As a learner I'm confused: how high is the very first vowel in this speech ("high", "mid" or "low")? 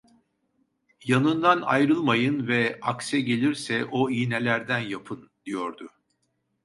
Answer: low